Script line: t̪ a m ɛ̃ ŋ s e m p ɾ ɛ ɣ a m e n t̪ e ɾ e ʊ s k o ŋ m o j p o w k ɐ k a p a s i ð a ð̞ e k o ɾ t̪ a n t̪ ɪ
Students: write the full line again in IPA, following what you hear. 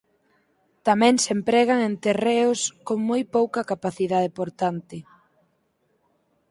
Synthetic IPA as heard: t̪ a m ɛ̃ ŋ s e m p ɾ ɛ ɣ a ŋ e n t̪ e r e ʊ s k o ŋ m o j p o w k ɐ k a p a θ i ð a ð̞ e p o ɾ t̪ a n t̪ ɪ